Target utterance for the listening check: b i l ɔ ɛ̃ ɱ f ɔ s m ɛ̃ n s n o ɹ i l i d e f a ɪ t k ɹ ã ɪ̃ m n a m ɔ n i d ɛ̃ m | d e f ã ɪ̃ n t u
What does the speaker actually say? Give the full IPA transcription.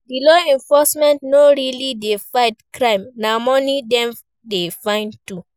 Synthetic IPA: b i l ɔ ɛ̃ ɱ f ɔ s m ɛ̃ n t n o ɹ i l i d e f a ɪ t k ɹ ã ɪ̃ m n a m ɔ n i d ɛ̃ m | d e f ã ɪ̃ n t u